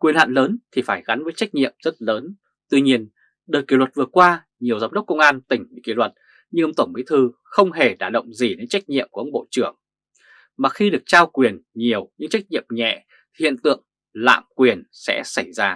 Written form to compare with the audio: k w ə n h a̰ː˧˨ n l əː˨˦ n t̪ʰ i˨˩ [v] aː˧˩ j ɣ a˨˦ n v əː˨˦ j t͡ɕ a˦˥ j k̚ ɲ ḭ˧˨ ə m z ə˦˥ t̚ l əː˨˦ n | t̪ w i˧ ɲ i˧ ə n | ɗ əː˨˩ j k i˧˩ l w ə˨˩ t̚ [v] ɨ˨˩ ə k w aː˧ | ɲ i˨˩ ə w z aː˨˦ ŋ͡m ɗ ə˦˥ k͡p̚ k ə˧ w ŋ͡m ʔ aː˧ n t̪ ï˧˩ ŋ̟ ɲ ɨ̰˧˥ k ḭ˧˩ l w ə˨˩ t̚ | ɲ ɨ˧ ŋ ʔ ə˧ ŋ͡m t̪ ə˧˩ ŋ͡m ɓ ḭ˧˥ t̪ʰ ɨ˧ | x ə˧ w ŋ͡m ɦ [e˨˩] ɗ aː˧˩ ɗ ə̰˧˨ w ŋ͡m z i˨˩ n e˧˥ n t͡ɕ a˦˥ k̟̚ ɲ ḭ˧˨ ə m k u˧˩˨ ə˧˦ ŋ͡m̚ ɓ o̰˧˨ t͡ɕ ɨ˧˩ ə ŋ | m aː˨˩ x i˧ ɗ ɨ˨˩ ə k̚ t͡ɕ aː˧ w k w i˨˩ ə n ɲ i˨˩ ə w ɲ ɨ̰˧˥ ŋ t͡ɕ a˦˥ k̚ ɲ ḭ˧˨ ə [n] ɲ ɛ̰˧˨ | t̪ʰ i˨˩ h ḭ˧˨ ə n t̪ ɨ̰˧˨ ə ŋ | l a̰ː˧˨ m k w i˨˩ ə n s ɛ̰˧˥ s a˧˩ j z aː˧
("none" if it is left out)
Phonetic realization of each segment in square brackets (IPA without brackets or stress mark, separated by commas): f, v, e˨˩, m